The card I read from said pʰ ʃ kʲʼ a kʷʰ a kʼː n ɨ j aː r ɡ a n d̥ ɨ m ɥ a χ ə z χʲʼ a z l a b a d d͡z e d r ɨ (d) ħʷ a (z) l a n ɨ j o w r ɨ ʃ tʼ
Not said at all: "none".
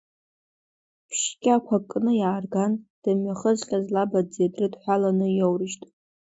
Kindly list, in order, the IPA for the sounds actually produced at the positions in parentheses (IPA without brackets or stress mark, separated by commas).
d, none